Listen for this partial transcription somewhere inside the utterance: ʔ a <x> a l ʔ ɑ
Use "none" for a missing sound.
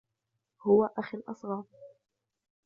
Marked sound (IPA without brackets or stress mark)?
x